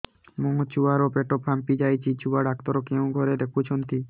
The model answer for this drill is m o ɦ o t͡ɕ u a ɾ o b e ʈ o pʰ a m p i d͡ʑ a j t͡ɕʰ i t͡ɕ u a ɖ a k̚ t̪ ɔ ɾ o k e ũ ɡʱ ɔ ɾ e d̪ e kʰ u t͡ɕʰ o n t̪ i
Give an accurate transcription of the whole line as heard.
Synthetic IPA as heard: m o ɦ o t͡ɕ u a ɾ o p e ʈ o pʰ a m p i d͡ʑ a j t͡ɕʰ i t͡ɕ u a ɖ a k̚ t̪ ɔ ɾ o k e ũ ɡʱ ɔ ɾ e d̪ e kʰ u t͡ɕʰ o n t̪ i